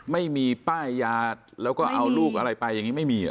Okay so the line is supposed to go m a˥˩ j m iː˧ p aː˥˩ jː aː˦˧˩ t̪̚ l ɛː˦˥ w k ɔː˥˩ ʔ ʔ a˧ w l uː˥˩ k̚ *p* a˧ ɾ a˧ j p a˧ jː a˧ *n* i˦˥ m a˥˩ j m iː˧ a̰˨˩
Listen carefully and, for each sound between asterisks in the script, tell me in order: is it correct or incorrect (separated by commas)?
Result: incorrect, incorrect